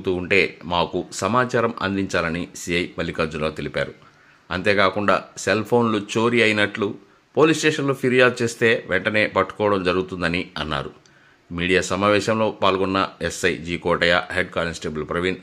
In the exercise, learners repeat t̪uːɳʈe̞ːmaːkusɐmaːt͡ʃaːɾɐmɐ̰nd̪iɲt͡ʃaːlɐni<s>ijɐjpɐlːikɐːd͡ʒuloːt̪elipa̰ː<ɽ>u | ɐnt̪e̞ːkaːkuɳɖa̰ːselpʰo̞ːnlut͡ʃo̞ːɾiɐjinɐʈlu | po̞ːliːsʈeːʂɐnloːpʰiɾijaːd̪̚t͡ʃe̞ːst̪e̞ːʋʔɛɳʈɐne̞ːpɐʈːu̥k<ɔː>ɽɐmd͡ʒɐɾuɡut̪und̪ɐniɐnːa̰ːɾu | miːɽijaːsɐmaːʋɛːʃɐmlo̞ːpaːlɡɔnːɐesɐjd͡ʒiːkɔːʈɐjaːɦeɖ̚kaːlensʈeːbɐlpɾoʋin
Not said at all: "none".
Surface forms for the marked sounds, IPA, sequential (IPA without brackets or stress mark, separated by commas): s, ɾ, ɔː